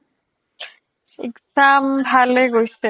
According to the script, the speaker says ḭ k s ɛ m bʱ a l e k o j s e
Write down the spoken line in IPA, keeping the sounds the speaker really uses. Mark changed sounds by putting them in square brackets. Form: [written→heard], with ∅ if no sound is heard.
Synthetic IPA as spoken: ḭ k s [ɛ→a] m bʱ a l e [k→ɡ] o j s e